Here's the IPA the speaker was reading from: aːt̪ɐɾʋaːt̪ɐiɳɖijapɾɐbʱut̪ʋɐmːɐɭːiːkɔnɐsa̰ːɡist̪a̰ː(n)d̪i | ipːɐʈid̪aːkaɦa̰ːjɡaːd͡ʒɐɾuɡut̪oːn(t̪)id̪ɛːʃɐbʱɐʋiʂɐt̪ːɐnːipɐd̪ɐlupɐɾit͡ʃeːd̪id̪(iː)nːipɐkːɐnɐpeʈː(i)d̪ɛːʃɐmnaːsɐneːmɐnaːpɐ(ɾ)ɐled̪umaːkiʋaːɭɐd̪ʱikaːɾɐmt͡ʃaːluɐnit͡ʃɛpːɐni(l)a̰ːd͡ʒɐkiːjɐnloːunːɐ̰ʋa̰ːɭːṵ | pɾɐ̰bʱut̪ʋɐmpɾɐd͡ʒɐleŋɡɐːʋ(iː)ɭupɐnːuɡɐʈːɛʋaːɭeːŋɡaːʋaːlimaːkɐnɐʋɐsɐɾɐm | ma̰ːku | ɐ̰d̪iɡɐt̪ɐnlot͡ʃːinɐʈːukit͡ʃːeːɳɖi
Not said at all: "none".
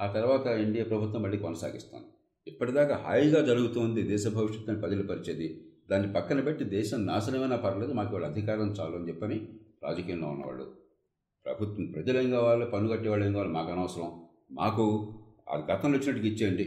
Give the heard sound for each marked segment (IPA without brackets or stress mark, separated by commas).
n, d̪, aː, i, ɾ, ɾ, aː